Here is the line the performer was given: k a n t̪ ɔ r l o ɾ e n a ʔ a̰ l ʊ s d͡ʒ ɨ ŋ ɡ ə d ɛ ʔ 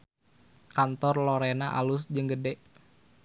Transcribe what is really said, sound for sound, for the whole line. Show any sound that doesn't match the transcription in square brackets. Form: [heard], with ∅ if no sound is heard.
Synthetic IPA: k a n t̪ ɔ r l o ɾ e n a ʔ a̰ l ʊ s d͡ʒ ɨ ŋ ɡ ə d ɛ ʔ

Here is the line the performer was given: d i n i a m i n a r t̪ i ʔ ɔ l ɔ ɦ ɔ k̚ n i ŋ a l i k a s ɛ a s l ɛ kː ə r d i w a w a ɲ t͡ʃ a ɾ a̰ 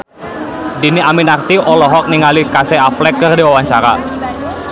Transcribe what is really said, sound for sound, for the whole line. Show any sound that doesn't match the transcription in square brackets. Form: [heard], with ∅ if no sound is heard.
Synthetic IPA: d i n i a m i n a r t̪ i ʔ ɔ l ɔ ɦ ɔ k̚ n i ŋ a l i k a s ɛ a [f] l ɛ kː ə r d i w a w a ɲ t͡ʃ a ɾ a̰

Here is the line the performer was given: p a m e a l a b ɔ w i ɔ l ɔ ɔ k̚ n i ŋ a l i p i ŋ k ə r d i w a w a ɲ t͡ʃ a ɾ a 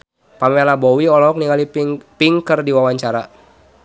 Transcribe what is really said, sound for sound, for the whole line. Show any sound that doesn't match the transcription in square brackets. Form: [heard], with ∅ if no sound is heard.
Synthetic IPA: p a m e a l a b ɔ w i ɔ l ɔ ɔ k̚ n i ŋ a l i p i ŋ k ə r d i w a w a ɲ t͡ʃ a ɾ a

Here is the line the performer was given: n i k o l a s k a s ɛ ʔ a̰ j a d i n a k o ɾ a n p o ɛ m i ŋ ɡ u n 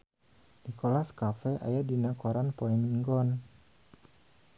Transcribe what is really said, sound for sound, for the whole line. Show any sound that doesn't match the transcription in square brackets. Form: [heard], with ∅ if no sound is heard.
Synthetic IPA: n i k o l a s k a [f] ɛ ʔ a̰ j a d i n a k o ɾ a n p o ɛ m i ŋ ɡ [ɔ] n

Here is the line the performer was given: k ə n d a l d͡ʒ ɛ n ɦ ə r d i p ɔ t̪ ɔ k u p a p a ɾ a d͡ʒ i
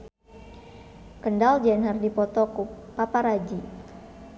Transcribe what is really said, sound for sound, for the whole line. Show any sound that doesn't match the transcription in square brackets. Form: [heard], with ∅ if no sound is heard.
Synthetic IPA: k ə n d a l d͡ʒ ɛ n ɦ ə r d i p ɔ t̪ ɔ k u p a p a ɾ a d͡ʒ i

